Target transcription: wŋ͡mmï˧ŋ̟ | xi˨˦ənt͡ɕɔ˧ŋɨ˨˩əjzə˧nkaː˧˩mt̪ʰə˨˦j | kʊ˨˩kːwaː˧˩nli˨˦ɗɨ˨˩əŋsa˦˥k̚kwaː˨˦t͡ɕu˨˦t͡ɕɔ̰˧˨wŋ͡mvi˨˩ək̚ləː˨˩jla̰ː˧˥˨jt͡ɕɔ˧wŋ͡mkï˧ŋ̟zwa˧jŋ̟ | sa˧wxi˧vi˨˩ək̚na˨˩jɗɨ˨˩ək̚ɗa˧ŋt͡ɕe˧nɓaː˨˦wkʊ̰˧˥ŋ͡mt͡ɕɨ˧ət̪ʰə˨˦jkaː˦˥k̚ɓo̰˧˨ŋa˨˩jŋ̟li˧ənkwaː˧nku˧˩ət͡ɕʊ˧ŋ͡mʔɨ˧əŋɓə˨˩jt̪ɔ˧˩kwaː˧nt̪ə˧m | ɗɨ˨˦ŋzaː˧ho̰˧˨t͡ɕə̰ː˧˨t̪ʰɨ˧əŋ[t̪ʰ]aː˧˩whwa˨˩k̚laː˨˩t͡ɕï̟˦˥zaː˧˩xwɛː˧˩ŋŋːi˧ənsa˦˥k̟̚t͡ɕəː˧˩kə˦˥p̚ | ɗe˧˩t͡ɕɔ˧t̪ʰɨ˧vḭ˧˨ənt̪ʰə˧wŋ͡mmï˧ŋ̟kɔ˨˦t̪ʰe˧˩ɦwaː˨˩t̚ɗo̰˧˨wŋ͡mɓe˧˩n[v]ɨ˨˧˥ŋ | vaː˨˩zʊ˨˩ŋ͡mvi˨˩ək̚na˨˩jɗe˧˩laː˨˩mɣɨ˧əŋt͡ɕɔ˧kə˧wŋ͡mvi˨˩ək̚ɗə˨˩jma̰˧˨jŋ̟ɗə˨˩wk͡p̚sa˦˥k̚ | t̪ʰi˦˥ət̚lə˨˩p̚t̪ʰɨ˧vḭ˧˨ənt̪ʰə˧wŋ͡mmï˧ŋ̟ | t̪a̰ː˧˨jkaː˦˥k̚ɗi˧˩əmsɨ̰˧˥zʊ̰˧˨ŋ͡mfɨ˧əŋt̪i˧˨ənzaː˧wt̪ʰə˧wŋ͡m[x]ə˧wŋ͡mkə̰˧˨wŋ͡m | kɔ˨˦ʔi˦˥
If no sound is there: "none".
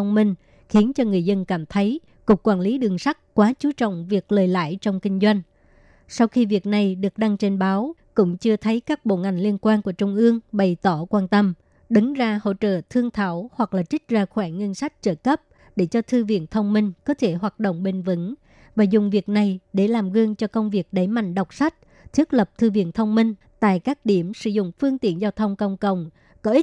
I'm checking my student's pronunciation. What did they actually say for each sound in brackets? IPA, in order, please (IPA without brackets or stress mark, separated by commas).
t̪ʰ, v, k